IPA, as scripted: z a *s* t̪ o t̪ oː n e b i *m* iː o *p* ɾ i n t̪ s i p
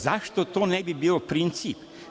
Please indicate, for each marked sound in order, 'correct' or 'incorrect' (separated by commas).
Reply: incorrect, incorrect, correct